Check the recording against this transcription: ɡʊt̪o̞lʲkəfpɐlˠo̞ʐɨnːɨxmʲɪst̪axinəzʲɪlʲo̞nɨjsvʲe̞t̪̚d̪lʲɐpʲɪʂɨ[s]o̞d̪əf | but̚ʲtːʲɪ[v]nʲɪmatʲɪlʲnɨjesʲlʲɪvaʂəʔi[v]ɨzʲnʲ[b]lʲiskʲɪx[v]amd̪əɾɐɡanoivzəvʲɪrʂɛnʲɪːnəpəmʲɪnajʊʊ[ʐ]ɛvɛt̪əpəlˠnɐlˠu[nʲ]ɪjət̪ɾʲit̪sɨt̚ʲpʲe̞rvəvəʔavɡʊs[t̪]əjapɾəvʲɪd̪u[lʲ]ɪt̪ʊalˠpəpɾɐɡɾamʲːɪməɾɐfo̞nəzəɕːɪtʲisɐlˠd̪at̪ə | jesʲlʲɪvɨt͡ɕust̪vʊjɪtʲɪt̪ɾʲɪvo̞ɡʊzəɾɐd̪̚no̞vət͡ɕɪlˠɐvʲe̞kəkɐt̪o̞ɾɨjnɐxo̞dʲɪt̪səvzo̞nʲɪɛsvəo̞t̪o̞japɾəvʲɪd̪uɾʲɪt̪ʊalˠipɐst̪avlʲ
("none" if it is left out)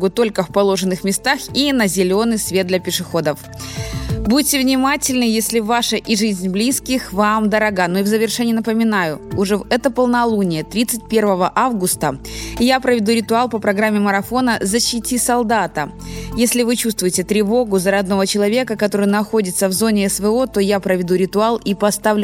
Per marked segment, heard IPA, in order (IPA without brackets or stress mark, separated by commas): x, v, ʐ, b, v, ʐ, nʲ, t̪, ɾʲ